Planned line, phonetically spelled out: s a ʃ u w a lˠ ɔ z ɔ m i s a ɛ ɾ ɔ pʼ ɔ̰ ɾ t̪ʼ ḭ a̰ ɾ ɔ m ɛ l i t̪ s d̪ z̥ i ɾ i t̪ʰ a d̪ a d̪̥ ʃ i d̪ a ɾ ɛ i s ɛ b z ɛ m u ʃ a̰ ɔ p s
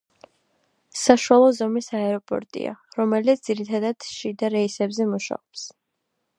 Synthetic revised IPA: s a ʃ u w a lˠ ɔ z ɔ m i s a ɛ ɾ ɔ pʼ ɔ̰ ɾ t̪ʼ ḭ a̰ ɾ ɔ m ɛ l i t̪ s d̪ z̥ i ɾ i t̪ʰ a d̪ a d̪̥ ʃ i d̪ a ɾ ɛ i s ɛ b z ɛ m u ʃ a̰ ɔ p s